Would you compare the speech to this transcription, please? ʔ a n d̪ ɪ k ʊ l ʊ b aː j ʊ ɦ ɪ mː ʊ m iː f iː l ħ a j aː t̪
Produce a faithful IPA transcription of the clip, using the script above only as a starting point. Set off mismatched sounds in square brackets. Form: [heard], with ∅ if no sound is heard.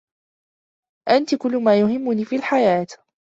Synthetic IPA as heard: ʔ a n [t̪] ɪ k ʊ [lː] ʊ [m] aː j ʊ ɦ ɪ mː ʊ [n] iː f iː l ħ a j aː t̪